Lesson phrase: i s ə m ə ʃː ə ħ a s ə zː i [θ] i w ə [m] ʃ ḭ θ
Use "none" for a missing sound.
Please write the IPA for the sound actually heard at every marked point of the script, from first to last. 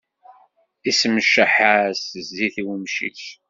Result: θ, m

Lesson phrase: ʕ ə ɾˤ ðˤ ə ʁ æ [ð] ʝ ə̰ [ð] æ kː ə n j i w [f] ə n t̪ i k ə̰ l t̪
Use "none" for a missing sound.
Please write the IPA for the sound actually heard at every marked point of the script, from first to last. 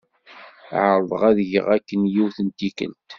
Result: ð, ʁ, θ

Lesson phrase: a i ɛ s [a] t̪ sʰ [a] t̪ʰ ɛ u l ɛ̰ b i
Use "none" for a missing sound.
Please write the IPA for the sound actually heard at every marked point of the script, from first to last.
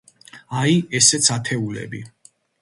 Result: ɛ, a

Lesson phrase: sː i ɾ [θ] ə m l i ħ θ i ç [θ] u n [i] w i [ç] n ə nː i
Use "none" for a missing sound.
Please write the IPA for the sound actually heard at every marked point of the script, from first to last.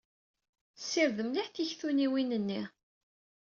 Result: ð, θ, i, none

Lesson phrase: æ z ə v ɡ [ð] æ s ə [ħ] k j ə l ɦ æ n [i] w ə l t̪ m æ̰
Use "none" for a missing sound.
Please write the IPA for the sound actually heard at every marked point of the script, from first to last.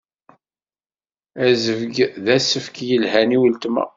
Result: ð, f, i

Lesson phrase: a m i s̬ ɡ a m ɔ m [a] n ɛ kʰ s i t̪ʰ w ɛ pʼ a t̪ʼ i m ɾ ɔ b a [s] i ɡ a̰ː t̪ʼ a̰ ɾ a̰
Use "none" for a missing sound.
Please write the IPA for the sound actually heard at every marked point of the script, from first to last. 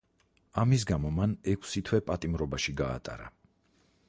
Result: a, ʃ

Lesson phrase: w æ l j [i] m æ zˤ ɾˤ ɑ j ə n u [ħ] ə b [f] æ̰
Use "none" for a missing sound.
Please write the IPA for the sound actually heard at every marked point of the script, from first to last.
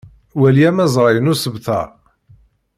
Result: æ, s, θ

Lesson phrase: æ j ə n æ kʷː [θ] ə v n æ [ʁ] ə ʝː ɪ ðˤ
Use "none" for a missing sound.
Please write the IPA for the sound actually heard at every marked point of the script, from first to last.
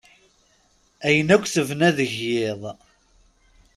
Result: θ, ð

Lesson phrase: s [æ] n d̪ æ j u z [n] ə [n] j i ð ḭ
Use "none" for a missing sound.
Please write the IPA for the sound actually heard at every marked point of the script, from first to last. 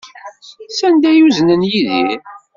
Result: æ, n, n

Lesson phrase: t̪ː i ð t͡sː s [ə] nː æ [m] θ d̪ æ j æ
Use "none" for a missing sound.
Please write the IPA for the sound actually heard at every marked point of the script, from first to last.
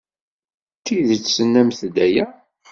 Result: ə, m

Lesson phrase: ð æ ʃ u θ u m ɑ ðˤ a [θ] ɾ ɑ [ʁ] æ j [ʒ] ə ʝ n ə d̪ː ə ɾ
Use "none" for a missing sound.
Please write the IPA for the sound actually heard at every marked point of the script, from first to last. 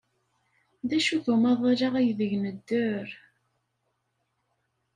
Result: none, ʁ, ð

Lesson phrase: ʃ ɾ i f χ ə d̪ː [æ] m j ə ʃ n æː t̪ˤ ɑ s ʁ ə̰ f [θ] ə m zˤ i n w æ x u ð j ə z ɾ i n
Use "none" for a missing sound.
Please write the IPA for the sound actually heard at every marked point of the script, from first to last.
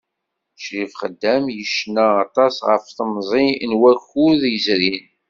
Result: æ, θ

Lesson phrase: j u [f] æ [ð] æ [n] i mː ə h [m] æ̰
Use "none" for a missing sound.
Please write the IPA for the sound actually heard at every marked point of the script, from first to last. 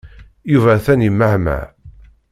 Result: v, θ, n, m

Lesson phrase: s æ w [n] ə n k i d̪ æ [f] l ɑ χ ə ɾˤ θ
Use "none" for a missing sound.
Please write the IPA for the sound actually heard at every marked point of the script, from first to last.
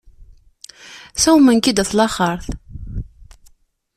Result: m, θ

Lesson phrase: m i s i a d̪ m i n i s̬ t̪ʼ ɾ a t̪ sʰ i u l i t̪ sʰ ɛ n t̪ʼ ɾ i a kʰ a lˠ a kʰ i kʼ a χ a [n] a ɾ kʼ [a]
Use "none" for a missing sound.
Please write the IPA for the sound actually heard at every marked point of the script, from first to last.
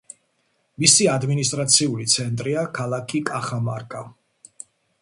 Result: m, a

